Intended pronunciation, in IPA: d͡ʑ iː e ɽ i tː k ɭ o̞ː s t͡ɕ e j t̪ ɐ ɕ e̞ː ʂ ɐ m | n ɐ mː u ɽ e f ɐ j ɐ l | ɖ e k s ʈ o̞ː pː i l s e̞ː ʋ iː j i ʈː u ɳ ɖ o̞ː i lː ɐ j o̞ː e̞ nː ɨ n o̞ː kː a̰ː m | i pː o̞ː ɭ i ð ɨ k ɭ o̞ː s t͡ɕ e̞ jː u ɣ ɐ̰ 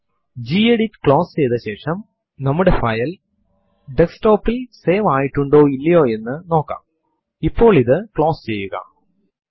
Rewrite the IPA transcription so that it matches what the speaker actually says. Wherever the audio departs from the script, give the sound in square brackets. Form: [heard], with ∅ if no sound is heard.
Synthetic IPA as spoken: d͡ʑ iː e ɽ i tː k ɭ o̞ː s t͡ɕ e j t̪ ɐ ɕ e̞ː ʂ ɐ m | n ɐ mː u ɽ e f ɐ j ɐ l | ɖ e k s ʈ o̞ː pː i l s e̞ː ʋ [aː] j i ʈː u ɳ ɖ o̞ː i lː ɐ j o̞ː e̞ nː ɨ n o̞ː kː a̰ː m | i pː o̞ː ɭ i ð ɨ k ɭ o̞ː s t͡ɕ e̞ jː u ɣ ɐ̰